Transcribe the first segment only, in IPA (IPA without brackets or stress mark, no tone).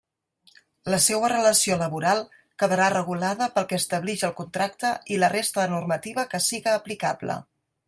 l